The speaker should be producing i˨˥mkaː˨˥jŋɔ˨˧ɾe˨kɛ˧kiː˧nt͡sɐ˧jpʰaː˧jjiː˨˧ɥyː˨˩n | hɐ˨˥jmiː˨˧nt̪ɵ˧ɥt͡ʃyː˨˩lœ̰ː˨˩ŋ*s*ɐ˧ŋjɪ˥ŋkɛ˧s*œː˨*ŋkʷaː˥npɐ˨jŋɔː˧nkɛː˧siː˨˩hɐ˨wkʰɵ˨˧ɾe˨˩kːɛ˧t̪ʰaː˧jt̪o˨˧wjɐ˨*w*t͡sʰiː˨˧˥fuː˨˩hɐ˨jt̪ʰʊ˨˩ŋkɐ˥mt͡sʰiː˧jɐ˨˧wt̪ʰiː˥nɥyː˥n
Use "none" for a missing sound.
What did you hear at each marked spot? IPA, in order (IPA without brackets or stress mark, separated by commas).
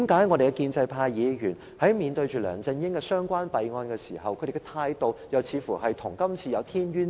t͡s, œː˥, w